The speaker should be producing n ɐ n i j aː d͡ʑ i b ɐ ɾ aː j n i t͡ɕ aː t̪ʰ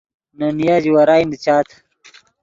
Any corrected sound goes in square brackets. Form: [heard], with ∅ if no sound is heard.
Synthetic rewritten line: n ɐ n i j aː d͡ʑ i [w] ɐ ɾ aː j n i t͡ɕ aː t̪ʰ